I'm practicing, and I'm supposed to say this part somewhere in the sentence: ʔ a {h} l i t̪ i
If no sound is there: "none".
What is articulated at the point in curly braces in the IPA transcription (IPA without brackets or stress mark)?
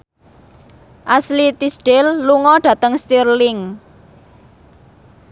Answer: s